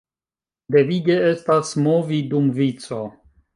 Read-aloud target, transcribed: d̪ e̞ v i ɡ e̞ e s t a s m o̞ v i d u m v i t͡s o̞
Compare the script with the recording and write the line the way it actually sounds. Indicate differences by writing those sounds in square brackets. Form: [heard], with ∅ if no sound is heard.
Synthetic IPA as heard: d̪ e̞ v i ɡ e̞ e s t a s m o̞ v i d u m v i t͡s o̞